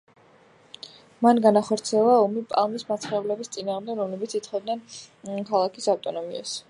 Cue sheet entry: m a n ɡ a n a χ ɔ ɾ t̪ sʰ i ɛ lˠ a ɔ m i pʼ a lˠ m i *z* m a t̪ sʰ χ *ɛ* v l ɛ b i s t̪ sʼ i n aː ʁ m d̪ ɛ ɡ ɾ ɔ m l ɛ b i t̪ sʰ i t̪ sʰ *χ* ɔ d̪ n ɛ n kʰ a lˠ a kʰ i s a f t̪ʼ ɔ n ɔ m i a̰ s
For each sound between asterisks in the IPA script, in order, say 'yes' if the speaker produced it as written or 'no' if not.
no, yes, yes

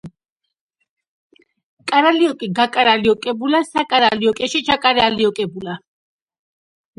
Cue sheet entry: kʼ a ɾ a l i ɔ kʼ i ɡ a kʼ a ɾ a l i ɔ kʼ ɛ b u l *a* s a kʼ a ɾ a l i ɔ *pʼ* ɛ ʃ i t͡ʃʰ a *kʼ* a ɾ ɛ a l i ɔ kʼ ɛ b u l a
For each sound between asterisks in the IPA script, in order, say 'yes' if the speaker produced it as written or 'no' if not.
yes, no, yes

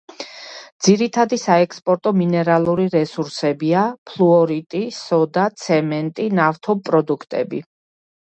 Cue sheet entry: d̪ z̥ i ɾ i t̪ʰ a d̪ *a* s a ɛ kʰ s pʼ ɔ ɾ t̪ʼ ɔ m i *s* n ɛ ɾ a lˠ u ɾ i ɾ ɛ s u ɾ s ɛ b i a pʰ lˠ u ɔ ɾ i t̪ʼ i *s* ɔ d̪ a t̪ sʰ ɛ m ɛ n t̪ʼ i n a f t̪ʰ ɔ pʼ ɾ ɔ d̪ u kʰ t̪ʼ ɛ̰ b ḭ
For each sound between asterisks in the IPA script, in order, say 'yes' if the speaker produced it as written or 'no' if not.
no, no, yes

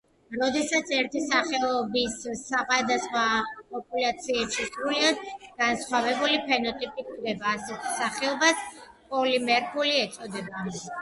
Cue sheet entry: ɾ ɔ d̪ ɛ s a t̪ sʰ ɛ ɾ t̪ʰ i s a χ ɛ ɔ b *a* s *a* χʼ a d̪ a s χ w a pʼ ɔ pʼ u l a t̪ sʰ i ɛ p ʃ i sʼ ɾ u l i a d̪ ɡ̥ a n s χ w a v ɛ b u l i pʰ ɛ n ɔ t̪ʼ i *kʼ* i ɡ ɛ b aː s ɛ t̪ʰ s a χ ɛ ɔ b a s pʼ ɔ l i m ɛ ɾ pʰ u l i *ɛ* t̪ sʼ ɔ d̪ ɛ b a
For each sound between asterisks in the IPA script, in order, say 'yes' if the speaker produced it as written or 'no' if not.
no, yes, no, yes

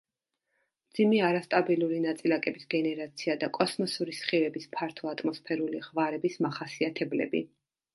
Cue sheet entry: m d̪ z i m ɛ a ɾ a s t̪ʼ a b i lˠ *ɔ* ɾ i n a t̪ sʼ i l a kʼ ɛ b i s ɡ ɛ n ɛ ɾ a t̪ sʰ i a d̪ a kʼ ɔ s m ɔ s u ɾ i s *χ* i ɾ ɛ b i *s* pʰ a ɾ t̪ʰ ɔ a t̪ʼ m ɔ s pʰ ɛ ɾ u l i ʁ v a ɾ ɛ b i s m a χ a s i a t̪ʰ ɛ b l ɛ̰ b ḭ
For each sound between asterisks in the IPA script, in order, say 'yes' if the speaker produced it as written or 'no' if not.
no, yes, yes

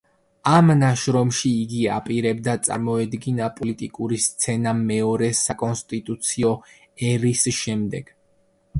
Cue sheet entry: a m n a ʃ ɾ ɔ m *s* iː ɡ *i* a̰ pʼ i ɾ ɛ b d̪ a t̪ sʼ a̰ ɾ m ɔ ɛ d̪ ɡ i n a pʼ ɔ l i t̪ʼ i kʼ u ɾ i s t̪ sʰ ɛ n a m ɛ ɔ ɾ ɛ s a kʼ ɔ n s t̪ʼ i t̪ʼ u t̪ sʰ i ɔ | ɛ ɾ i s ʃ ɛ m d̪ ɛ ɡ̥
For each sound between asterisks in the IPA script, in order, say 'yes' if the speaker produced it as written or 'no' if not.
no, yes

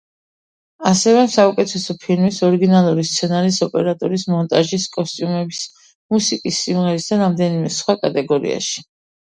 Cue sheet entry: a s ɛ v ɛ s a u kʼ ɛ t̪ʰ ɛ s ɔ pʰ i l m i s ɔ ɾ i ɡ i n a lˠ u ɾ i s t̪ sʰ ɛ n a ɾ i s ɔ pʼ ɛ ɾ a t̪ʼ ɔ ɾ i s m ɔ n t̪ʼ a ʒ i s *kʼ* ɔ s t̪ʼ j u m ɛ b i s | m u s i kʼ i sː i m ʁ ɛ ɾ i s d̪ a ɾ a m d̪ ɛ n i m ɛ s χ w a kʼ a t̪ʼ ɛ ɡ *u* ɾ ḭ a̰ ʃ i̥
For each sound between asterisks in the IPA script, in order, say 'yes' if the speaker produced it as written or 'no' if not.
yes, no

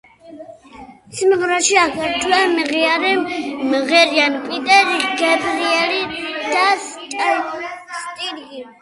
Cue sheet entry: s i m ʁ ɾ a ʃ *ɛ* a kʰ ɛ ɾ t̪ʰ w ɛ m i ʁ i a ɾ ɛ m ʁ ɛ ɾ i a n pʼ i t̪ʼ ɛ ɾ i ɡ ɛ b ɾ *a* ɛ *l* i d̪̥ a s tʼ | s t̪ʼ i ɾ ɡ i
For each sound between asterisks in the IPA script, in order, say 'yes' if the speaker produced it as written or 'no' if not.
no, no, yes

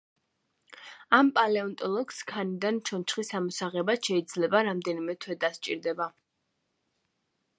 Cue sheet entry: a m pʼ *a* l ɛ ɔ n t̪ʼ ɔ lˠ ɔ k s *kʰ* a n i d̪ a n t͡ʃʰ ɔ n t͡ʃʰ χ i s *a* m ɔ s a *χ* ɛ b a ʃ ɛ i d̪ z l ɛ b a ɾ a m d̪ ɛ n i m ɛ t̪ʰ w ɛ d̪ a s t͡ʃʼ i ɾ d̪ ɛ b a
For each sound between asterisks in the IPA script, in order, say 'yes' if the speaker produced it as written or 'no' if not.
yes, yes, yes, no

